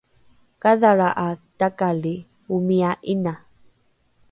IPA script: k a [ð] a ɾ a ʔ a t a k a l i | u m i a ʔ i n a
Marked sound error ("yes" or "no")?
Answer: no